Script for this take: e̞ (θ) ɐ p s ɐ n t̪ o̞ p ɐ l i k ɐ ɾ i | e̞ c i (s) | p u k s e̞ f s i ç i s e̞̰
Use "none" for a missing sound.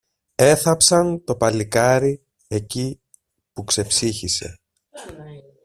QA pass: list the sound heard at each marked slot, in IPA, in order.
θ, none

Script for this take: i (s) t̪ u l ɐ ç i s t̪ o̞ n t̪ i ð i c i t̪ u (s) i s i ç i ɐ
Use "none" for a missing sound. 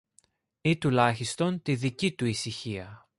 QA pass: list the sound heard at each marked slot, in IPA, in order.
none, none

